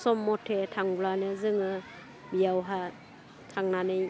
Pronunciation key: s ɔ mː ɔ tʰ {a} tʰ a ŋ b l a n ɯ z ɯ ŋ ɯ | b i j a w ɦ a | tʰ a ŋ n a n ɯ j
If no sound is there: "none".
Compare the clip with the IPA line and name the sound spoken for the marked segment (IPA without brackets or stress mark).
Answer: e